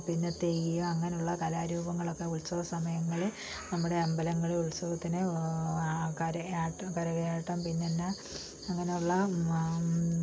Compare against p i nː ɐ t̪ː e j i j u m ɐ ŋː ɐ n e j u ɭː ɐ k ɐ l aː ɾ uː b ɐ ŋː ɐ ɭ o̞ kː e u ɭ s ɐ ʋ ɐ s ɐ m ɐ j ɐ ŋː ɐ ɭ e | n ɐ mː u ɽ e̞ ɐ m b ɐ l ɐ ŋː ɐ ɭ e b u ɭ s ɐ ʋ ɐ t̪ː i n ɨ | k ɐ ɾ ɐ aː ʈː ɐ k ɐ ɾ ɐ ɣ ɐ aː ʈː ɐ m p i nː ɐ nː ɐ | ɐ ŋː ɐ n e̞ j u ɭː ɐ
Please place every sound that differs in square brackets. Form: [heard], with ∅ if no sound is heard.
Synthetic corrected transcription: p i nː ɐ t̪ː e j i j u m ɐ ŋː ɐ n e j u ɭː ɐ k ɐ l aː ɾ uː b ɐ ŋː ɐ ɭ o̞ kː e u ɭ s ɐ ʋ ɐ s ɐ m ɐ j ɐ ŋː ɐ ɭ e | n ɐ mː u ɽ e̞ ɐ m b ɐ l ɐ ŋː ɐ ɭ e [∅] u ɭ s ɐ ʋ ɐ t̪ː i n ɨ | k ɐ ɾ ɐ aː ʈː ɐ k ɐ ɾ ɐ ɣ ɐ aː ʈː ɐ m p i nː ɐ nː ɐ | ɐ ŋː ɐ n e̞ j u ɭː ɐ